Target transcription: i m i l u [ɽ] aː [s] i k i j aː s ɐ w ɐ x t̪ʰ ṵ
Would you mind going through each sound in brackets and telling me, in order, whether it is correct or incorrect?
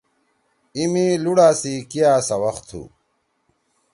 correct, correct

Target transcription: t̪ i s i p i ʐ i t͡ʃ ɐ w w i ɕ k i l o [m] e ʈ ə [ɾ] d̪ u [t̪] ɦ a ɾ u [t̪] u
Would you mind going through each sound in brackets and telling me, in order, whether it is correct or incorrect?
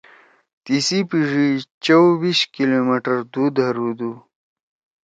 correct, correct, incorrect: d̪, incorrect: d̪

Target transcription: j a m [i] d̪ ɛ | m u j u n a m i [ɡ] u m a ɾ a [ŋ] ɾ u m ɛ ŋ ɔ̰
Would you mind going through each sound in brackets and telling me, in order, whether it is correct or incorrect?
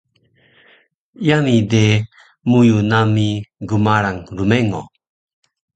correct, correct, correct

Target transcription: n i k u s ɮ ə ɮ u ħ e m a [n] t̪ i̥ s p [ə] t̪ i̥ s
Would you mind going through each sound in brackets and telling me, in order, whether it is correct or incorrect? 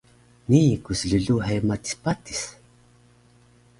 incorrect: none, incorrect: a

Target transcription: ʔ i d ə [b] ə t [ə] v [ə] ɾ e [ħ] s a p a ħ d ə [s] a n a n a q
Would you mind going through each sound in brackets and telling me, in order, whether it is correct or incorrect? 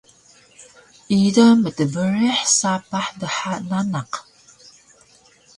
incorrect: m, correct, correct, correct, incorrect: ħ

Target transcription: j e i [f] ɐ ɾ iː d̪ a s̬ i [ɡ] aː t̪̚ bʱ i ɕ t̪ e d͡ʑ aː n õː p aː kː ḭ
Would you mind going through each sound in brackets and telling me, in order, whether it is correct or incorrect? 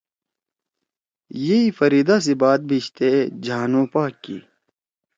correct, incorrect: b

